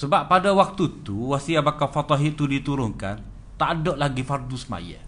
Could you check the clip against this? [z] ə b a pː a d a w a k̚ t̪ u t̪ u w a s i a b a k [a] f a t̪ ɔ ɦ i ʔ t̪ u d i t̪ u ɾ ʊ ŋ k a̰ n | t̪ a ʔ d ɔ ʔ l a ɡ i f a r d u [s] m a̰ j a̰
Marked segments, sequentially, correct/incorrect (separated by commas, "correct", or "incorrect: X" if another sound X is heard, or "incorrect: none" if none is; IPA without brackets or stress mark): incorrect: s, correct, correct